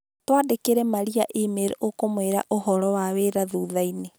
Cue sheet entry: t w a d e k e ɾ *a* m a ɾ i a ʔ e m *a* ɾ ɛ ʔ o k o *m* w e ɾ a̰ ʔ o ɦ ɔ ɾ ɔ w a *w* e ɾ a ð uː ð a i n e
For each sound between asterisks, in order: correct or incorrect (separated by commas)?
incorrect, incorrect, correct, correct